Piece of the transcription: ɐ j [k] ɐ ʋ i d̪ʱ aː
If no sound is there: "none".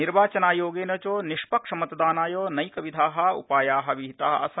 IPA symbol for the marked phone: k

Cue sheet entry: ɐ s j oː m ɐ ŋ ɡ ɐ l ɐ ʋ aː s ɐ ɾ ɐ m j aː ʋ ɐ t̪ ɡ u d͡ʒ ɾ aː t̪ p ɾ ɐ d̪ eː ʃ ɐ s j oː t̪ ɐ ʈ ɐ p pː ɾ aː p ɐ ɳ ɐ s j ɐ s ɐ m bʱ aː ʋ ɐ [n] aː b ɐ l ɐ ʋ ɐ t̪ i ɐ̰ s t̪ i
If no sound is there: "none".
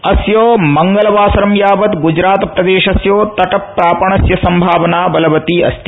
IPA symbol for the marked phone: n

